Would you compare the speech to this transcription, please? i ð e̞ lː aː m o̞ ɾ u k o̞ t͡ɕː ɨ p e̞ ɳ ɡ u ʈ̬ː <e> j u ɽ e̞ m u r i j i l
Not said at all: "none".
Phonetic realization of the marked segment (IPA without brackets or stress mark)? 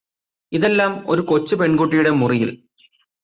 i